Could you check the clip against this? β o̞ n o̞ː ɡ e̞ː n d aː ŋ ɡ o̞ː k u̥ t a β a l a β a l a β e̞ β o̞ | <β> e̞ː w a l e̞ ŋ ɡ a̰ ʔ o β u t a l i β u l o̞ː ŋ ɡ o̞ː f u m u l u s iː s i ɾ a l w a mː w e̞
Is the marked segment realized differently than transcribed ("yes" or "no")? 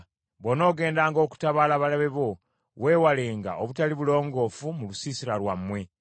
yes